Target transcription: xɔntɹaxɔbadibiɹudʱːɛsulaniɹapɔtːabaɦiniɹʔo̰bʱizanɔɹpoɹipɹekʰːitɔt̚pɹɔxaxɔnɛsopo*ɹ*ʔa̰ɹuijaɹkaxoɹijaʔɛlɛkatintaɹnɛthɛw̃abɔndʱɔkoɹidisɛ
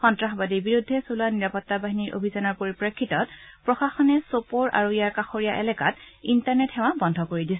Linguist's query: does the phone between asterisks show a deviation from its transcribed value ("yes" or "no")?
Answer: no